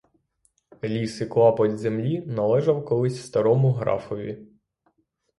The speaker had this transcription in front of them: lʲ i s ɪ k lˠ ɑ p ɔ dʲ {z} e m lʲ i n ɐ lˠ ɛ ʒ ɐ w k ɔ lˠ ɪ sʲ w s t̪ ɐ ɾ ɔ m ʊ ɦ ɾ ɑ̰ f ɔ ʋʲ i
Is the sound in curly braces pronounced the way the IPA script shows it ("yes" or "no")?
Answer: yes